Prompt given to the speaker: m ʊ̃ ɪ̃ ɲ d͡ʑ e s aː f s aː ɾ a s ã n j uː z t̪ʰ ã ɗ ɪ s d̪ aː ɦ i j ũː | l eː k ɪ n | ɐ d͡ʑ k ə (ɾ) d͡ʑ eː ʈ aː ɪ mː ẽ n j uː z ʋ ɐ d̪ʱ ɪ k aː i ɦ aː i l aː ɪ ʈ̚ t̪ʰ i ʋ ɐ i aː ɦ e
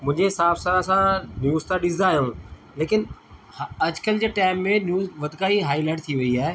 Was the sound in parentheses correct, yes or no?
no